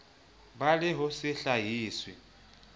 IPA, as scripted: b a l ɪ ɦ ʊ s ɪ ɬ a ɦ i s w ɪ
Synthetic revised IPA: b a l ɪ ɦ ʊ s ɪ ɬ a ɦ iː s w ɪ